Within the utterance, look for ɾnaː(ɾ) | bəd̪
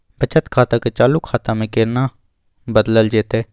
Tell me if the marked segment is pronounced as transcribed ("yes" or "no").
no